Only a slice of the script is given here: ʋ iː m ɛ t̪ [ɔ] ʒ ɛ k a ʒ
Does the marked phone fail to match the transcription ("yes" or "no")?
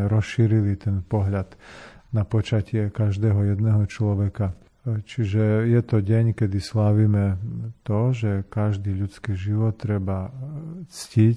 no